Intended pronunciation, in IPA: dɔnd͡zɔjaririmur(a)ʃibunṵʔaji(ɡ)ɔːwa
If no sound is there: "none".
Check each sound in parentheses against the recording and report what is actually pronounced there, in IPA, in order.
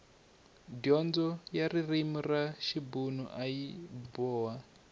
a, b

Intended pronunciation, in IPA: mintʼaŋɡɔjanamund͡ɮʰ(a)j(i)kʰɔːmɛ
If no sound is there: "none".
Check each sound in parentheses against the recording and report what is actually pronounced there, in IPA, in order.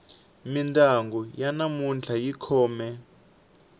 a, i

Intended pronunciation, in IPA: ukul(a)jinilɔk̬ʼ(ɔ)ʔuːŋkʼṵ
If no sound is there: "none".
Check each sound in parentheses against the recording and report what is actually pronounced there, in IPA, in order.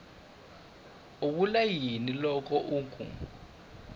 a, ɔ

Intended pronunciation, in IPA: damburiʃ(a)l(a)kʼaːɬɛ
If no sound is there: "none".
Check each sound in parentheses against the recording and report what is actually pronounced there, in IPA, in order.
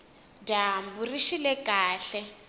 i, ɛ

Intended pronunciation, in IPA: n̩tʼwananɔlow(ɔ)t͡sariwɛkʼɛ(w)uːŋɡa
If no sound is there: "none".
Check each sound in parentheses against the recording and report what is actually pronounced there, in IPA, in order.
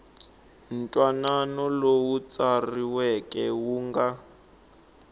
u, w

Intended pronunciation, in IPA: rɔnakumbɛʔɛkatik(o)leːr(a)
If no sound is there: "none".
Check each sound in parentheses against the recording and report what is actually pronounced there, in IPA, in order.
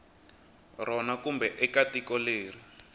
ɔ, i

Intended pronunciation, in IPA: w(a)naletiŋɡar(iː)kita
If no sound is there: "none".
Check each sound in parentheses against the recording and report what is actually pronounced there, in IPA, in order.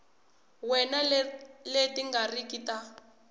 ɛ, i

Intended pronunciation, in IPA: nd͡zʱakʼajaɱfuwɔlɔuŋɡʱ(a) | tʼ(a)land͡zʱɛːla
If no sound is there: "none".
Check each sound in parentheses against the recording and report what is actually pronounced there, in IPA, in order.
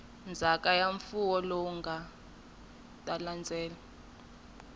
a, a

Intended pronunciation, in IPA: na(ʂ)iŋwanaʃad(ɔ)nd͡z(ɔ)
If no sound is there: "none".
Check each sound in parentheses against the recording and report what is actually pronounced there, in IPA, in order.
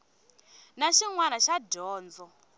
ʃ, ɔː, ɔ

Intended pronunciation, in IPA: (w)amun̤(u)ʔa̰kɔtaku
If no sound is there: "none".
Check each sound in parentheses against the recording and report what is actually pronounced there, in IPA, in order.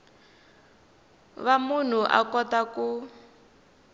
β, u

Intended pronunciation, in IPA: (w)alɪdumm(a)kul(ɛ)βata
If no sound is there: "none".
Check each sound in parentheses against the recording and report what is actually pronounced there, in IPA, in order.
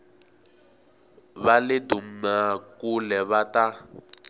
β, a, ɛ

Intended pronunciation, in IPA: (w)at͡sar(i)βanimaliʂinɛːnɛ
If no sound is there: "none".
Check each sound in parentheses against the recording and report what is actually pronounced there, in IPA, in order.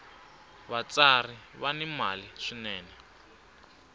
β, i

